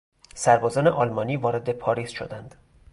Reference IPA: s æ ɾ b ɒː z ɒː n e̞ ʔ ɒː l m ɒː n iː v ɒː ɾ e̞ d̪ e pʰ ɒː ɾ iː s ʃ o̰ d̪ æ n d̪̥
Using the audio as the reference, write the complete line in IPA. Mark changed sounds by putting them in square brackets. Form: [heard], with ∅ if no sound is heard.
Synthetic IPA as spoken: s æ ɾ b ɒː z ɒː n e̞ ʔ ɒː l m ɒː n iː v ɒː ɾ e̞ d̪ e pʰ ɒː ɾ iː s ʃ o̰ d̪ æ n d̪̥